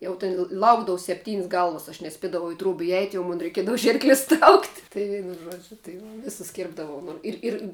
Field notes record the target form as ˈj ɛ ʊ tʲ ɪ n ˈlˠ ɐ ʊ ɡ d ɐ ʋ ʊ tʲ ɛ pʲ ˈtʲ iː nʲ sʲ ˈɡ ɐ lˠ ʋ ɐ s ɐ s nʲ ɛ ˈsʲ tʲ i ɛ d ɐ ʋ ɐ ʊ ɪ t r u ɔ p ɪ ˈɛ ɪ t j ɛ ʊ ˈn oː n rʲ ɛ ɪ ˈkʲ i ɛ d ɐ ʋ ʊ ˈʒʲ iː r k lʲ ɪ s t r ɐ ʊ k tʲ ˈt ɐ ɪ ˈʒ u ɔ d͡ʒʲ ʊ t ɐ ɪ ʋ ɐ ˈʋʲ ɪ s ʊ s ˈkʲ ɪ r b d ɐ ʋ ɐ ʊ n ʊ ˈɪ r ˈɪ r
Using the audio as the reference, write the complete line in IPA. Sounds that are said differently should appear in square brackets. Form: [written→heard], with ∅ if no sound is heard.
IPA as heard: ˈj ɛ ʊ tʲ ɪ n ˈlˠ ɐ ʊ ɡ d ɐ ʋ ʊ [tʲ→sʲ] ɛ pʲ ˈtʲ iː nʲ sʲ ˈɡ ɐ lˠ ʋ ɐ s ɐ [s→ʃ] nʲ ɛ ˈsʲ [tʲ→pʲ] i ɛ d ɐ ʋ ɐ ʊ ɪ t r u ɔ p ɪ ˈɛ ɪ t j ɛ ʊ [ˈn→ˈm] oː n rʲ ɛ ɪ ˈkʲ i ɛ d ɐ ʋ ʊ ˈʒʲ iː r k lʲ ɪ s t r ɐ ʊ k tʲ ˈt ɐ ɪ ˈʒ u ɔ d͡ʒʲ ʊ t ɐ ɪ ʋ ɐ ˈʋʲ ɪ s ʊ s ˈkʲ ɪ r b d ɐ ʋ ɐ ʊ n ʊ ˈɪ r ˈɪ r